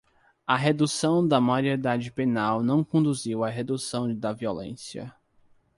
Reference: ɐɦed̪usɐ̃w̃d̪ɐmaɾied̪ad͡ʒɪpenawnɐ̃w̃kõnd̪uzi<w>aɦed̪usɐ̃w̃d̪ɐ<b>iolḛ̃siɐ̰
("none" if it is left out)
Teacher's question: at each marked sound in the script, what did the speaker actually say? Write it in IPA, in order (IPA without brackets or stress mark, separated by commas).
w, v